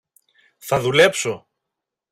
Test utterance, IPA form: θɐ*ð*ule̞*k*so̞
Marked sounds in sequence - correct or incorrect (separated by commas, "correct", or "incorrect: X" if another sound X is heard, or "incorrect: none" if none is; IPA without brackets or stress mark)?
correct, incorrect: p